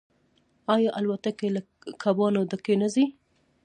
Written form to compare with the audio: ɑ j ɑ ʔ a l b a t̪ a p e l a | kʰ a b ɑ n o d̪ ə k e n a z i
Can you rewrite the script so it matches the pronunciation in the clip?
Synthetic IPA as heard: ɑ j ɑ ʔ a l w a t̪ a k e l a | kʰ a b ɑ n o d̪ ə k e n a z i